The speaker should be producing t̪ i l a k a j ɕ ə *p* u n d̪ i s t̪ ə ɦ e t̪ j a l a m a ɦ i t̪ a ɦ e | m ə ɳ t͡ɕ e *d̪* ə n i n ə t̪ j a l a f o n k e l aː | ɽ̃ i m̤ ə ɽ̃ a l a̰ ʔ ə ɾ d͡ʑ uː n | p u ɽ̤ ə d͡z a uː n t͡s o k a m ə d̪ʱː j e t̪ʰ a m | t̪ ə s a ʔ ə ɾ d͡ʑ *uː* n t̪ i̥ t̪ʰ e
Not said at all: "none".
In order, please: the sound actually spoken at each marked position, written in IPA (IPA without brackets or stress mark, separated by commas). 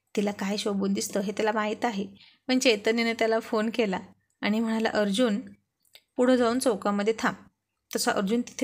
b, t̪, uː